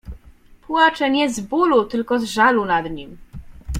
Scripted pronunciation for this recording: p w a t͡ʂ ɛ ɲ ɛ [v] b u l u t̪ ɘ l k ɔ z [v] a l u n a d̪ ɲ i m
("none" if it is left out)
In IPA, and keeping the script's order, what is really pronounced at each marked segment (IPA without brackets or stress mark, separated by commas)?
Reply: z, ʐ